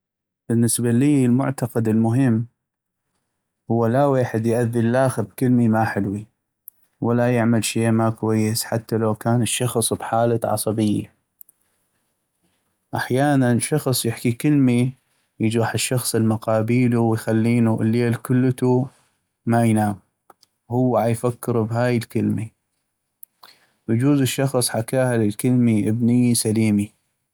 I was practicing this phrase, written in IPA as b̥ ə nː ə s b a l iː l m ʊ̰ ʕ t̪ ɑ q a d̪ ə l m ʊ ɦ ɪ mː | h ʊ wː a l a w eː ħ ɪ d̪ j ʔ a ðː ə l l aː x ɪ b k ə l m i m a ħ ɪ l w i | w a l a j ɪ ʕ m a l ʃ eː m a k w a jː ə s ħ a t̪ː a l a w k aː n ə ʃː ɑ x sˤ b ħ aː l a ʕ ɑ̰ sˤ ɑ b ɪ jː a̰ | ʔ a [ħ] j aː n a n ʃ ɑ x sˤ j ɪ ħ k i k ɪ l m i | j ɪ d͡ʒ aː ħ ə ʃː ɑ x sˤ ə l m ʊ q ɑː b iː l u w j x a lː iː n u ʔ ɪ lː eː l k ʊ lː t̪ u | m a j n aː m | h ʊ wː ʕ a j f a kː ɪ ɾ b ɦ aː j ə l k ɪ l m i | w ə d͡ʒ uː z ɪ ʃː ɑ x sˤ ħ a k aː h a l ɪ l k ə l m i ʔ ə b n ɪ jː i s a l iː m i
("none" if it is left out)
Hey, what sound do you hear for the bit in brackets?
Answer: ħ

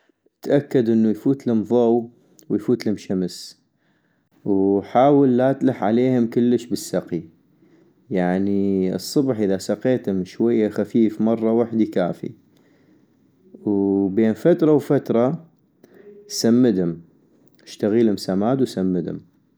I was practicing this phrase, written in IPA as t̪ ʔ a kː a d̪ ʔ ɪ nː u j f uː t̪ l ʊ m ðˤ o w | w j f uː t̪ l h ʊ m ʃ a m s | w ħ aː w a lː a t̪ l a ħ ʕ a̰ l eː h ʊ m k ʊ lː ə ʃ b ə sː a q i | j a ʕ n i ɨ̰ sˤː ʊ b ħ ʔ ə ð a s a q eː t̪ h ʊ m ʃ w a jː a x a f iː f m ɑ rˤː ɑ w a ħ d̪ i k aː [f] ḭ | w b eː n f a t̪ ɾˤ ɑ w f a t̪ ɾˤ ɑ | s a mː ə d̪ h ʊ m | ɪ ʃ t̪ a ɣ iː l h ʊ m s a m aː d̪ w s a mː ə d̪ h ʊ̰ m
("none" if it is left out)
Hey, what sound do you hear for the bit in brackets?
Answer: f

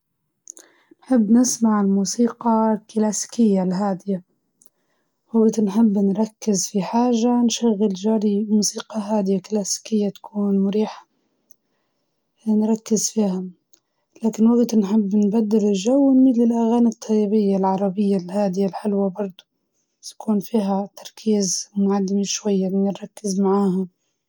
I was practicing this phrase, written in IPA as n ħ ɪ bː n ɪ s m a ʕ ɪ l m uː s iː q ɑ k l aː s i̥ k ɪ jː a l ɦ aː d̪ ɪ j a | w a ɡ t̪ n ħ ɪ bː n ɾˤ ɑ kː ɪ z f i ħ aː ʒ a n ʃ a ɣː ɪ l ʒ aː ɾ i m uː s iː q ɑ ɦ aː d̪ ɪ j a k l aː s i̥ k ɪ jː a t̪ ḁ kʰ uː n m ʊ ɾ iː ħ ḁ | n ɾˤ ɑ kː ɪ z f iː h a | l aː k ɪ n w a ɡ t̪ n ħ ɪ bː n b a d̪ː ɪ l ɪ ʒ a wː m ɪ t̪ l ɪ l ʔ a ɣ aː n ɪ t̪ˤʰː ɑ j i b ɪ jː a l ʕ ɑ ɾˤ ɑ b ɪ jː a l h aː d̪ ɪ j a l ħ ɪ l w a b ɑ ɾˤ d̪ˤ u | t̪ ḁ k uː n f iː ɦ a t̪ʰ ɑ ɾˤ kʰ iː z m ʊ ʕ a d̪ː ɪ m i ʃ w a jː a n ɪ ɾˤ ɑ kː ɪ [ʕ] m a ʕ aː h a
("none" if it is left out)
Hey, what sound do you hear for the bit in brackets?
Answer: z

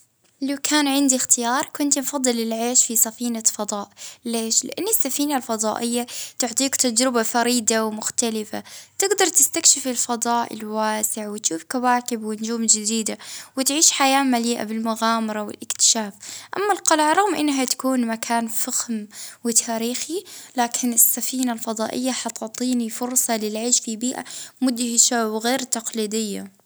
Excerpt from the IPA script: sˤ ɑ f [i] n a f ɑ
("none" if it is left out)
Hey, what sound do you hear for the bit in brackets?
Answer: iː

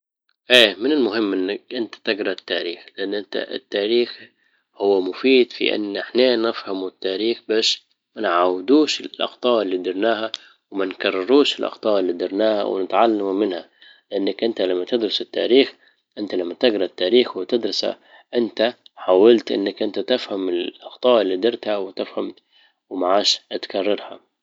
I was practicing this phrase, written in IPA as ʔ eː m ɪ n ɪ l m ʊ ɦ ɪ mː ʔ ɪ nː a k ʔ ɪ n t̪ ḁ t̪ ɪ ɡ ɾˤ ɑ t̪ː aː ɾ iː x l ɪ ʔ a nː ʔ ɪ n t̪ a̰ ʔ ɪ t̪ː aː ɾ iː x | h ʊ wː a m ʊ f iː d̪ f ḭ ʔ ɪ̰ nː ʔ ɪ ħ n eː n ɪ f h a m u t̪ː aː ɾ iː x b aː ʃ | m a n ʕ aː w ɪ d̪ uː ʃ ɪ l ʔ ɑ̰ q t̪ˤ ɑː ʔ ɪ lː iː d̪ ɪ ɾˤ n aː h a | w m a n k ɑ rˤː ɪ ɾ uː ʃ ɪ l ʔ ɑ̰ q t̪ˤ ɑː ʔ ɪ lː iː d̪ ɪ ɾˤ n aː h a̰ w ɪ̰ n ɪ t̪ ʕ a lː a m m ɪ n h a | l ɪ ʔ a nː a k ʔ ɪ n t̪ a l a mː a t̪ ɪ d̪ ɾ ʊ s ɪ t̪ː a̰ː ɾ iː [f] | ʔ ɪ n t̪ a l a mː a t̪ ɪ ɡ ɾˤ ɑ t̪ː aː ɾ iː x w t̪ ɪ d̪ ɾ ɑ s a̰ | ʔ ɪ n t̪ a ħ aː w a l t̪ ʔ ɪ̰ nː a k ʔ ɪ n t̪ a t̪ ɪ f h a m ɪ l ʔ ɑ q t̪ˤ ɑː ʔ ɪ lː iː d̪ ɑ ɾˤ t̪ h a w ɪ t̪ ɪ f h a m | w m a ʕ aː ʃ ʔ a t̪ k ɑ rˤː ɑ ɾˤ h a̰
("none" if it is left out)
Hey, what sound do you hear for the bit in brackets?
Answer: x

